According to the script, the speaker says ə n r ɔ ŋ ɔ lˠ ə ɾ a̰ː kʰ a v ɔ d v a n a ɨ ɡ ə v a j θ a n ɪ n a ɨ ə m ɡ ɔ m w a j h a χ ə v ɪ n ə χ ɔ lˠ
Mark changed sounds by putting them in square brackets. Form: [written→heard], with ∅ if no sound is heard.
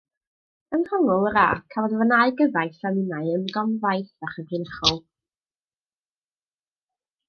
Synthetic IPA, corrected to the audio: ə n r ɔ ŋ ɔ lˠ ə ɾ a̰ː kʰ a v ɔ d v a n a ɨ ɡ ə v a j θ a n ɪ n a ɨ ə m ɡ ɔ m [w→v] a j [h→θ] a χ ə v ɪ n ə χ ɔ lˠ